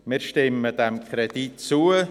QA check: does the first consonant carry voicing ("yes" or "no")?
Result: yes